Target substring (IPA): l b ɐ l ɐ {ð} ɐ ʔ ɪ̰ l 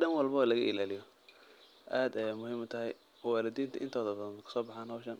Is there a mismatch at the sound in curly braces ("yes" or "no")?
yes